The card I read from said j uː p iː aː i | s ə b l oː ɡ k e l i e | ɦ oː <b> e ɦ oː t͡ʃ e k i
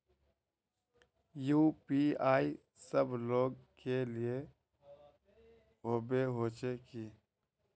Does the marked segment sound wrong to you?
no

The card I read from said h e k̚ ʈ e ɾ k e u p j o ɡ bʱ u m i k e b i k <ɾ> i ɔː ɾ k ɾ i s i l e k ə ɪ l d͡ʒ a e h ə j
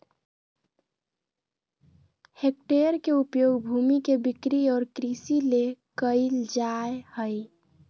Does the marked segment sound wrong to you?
no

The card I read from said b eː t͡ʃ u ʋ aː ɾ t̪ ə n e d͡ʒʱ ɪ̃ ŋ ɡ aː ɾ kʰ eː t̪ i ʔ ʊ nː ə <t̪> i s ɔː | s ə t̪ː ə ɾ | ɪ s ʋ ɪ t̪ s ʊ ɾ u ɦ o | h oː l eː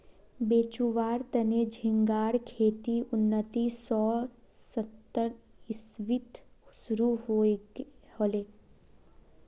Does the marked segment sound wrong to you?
no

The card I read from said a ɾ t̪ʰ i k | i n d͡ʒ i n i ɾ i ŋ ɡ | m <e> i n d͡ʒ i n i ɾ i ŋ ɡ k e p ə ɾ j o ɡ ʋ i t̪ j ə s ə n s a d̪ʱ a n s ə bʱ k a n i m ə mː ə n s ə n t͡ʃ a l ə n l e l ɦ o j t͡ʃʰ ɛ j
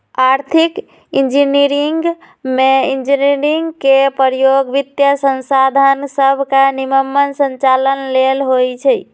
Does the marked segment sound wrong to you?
no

